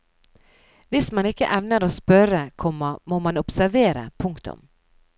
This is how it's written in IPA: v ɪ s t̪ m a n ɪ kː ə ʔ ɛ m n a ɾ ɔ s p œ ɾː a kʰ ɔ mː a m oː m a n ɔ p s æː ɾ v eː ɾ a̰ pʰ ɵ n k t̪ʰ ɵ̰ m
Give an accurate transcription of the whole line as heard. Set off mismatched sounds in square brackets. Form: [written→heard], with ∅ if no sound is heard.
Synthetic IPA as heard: v ɪ s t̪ m a n ɪ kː ə ʔ ɛ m n a ɾ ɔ s p œ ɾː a kʰ ɔ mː a m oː m a n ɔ p s [æː→æ] ɾ v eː ɾ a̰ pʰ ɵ [n→ŋ] k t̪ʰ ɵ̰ m